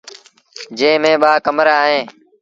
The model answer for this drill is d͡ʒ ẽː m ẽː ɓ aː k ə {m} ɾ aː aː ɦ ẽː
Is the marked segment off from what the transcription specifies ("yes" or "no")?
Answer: no